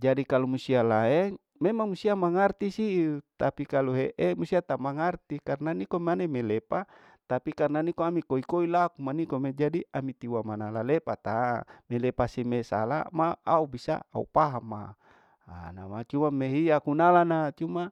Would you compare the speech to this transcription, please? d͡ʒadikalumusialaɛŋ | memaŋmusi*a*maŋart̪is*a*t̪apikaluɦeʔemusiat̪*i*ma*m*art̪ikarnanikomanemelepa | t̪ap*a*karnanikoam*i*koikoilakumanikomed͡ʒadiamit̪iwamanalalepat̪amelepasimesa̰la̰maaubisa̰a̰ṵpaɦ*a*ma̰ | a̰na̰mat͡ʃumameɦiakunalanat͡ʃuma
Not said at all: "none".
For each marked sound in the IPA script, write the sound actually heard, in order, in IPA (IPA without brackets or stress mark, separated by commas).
a, i, a, ŋ, i, i, a